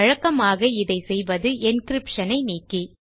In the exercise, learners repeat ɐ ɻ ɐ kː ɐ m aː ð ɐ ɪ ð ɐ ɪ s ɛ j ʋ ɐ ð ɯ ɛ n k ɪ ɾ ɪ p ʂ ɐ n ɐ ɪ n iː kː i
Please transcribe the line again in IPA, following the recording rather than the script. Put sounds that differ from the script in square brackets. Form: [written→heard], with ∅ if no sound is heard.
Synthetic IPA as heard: ɐ ɻ ɐ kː ɐ m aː [ð→ɣ] ɐ ɪ ð ɐ ɪ s ɛ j ʋ ɐ ð ɯ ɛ n k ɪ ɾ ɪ p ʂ ɐ n ɐ ɪ n iː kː i